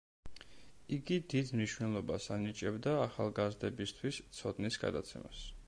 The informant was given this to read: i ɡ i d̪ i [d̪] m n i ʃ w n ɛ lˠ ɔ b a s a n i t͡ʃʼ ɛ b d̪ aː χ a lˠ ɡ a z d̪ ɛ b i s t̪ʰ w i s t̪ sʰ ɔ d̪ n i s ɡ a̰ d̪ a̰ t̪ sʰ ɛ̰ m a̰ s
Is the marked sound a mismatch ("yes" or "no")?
no